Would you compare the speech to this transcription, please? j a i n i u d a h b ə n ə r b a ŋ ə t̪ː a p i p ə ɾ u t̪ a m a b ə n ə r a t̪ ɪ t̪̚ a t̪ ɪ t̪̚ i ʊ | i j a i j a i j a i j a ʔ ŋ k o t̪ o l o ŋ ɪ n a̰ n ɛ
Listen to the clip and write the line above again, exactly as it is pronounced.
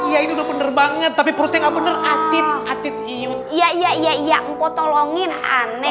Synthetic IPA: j a i n i u d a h b ə n ə r b a ŋ ə t̪ː a p i p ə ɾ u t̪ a ŋ a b ə n ə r a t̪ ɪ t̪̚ a t̪ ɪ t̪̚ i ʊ | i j a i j a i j a i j a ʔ ŋ k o t̪ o l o ŋ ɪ n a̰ n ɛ